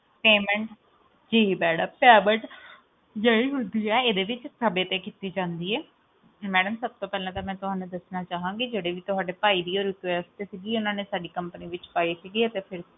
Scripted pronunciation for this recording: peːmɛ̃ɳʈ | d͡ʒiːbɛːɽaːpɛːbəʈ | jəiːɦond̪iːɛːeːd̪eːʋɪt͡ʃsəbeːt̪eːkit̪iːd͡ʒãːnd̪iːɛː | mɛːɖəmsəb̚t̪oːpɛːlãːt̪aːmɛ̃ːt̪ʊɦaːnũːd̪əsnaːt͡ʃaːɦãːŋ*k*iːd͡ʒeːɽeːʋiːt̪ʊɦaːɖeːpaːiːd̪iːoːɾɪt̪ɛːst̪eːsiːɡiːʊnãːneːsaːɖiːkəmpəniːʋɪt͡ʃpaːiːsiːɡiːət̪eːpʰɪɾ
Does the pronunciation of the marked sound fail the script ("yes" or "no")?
yes